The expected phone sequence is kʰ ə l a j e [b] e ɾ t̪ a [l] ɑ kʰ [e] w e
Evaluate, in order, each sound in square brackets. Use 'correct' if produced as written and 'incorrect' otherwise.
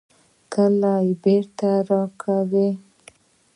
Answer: correct, incorrect, incorrect

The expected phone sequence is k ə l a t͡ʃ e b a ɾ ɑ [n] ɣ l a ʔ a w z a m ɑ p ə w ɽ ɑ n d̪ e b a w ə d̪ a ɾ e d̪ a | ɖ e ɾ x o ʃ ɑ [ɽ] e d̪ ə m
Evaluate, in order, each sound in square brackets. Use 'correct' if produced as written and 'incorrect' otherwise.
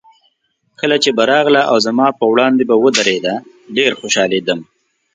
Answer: incorrect, incorrect

